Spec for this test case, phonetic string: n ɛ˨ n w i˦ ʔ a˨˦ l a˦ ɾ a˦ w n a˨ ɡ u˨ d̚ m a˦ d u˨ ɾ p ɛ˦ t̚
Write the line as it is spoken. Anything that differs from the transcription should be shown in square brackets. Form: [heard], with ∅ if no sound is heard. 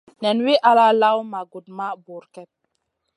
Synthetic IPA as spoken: n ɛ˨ n w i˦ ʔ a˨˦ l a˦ [l] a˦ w [m] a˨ ɡ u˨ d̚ m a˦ [b] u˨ ɾ [k] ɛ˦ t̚

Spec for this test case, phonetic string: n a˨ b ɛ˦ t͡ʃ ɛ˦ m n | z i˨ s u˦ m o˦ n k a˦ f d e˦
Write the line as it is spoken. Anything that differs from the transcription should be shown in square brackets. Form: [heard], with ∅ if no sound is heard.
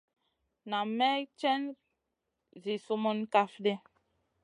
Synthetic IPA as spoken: n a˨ [m] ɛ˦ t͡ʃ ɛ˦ [∅] n | z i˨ s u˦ m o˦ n k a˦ f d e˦

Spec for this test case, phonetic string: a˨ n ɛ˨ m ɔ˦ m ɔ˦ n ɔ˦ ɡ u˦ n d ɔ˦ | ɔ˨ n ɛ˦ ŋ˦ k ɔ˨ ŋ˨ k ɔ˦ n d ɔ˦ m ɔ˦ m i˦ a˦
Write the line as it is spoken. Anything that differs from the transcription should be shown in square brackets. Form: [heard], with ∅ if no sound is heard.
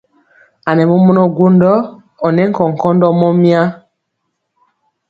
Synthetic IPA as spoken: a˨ n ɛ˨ m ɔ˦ m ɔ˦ n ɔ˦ ɡ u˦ n d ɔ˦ | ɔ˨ n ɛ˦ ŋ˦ k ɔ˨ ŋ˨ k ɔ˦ n d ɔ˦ m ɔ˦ m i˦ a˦

